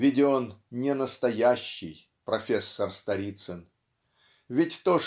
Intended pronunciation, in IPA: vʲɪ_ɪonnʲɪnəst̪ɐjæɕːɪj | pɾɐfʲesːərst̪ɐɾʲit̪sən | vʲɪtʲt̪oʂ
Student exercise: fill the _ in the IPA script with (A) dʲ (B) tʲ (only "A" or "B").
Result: A